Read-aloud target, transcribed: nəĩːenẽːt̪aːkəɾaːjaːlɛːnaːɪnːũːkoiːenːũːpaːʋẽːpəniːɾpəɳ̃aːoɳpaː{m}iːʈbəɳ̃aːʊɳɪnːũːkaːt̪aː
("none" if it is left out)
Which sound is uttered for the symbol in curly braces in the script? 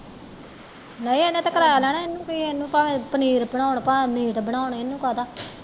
m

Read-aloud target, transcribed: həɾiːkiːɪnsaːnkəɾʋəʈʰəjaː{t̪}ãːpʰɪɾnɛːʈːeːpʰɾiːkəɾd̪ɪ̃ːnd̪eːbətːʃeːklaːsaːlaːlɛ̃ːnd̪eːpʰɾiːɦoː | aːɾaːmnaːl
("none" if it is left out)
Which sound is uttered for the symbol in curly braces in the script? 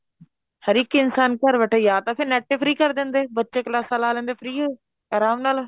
t̪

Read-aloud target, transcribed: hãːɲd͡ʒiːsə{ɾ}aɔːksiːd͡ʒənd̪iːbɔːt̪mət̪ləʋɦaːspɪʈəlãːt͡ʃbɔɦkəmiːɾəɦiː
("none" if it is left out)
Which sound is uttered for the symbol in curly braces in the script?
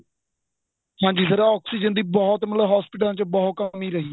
ɾ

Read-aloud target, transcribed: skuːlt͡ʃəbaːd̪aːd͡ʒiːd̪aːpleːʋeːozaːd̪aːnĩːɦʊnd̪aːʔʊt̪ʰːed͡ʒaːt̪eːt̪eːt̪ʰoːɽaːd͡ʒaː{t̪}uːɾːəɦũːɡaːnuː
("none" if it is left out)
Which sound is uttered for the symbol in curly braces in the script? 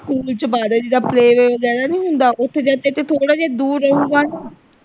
d̪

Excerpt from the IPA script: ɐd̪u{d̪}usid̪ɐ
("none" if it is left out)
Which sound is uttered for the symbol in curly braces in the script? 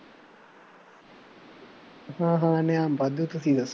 t̪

